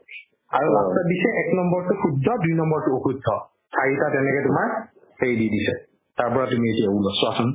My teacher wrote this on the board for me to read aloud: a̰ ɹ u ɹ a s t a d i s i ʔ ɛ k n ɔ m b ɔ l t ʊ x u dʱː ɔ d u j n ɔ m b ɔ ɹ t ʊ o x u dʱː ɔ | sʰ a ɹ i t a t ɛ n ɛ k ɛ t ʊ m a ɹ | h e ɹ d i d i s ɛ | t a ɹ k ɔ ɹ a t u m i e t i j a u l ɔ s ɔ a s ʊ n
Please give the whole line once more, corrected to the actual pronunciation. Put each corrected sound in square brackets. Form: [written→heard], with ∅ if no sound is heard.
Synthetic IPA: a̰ ɹ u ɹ a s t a d i s [i→ɛ] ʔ ɛ k n ɔ m b ɔ [l→ɹ] t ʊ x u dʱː ɔ d u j n ɔ m b ɔ ɹ t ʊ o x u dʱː ɔ | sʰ a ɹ i t a t ɛ n ɛ k ɛ t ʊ m a ɹ | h e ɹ d i d i s ɛ | t a ɹ [k→p] ɔ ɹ a t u m i e t i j a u l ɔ s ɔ a s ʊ n